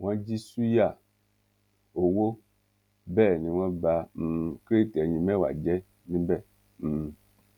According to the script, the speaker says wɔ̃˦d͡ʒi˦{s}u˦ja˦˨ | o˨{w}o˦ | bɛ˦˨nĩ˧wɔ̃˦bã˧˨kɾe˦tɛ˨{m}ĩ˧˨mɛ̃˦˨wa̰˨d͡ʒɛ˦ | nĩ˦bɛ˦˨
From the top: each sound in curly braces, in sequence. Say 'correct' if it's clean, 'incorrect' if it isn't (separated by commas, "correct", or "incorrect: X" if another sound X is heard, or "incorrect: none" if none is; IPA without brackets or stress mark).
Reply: correct, correct, incorrect: ɲ